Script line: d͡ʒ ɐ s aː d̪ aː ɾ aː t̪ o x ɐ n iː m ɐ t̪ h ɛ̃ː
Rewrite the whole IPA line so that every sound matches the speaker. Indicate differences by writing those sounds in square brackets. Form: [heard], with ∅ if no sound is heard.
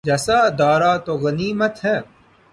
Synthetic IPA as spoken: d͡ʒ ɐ s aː d̪ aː ɾ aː t̪ o [ɣ] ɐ n iː m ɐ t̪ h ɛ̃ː